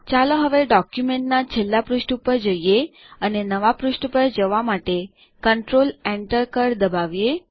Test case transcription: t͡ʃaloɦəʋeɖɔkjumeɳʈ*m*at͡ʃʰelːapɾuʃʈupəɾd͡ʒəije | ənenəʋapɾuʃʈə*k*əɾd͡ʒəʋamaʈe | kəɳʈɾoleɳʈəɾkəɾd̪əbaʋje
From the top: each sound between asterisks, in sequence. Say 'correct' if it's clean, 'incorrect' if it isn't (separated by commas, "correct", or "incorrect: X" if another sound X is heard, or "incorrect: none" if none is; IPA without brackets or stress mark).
incorrect: n, incorrect: p